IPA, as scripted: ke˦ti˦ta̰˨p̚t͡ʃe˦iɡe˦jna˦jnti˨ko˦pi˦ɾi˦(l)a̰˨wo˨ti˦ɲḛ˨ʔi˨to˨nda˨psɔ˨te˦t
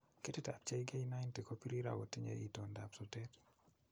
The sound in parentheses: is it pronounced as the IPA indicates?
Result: no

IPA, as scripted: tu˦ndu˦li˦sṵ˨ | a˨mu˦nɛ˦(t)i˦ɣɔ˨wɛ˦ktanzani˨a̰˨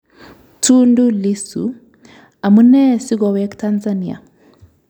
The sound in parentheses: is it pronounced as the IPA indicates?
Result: no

